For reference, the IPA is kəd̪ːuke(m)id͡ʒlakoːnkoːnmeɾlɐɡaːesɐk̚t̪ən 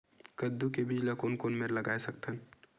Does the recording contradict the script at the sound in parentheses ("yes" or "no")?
yes